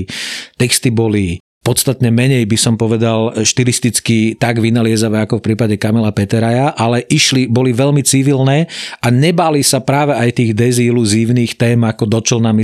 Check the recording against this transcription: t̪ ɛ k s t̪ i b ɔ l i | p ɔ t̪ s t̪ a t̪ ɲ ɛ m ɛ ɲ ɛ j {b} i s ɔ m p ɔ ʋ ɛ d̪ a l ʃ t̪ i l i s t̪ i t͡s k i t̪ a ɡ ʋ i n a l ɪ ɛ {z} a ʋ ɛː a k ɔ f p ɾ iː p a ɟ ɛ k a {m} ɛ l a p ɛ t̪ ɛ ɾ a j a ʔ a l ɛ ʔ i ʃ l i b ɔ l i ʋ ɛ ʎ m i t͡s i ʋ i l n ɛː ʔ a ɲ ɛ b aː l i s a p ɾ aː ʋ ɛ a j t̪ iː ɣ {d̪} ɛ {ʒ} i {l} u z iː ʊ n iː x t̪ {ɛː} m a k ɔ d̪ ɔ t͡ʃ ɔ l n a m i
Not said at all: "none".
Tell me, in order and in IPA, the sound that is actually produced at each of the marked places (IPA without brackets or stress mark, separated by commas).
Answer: b, z, m, d̪, z, l, ɛː